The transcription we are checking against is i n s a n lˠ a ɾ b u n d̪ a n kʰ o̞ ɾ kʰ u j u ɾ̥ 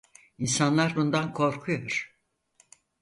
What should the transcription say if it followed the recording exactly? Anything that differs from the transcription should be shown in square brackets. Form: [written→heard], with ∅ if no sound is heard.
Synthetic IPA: i n s a n lˠ a ɾ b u n d̪ a n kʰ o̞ ɾ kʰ u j [u→o] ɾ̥